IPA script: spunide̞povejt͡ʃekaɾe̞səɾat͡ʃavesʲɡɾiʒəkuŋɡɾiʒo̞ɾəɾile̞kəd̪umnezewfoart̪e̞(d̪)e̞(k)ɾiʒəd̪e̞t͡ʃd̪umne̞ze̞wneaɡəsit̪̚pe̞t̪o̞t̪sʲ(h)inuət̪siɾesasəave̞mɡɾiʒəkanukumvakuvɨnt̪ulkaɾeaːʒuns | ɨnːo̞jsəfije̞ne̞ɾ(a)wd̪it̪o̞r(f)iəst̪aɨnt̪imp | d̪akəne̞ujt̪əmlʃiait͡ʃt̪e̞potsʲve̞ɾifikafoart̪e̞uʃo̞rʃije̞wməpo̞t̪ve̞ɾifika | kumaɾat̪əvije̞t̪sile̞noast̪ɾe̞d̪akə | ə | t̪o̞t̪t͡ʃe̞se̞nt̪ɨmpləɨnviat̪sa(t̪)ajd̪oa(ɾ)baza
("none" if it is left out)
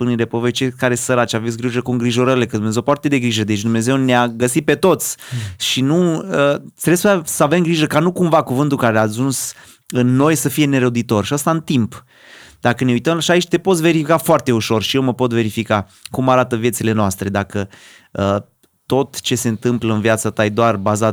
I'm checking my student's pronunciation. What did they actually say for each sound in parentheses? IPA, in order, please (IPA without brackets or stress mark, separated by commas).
d̪, ɡ, ʃ, ə, ʃ, t̪, r